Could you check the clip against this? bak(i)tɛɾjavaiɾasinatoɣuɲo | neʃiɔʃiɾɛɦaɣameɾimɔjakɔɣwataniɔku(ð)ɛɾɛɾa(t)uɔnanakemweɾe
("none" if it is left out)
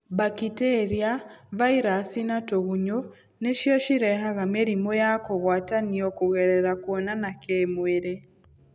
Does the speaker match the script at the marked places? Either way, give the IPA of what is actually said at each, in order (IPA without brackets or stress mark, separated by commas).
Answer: i, ɣ, k